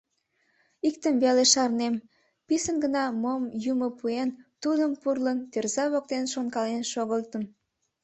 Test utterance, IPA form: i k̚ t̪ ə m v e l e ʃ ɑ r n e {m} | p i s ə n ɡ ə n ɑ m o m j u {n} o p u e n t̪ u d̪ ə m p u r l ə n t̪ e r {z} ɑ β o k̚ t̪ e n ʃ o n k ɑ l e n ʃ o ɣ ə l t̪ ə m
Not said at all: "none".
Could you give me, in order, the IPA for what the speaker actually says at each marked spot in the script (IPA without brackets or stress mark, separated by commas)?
m, m, z